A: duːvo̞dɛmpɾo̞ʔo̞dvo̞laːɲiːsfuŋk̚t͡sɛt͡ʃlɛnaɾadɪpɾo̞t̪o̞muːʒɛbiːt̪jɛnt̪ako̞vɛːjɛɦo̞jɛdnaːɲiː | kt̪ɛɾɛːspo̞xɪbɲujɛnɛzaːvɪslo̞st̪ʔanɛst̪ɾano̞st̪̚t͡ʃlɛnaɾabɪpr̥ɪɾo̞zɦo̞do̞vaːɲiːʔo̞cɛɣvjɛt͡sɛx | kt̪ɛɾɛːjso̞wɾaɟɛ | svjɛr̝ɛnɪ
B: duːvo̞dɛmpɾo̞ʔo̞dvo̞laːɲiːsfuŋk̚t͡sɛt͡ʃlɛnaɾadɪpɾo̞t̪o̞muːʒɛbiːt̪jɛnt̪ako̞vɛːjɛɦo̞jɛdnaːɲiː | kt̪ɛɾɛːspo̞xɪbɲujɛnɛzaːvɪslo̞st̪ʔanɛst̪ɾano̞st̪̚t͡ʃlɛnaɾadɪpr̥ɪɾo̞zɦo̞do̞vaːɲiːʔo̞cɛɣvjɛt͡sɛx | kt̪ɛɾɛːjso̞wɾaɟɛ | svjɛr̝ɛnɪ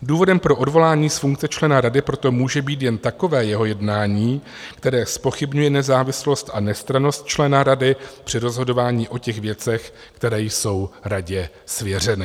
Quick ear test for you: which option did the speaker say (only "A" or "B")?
B